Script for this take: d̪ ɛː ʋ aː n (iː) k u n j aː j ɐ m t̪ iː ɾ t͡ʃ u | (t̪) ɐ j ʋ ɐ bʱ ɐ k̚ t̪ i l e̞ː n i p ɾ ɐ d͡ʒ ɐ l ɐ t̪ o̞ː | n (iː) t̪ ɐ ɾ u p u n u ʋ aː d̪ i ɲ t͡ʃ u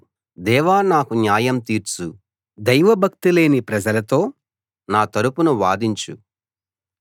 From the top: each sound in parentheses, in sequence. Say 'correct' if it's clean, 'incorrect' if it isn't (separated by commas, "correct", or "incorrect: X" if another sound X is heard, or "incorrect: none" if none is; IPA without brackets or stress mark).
incorrect: aː, incorrect: d̪, incorrect: aː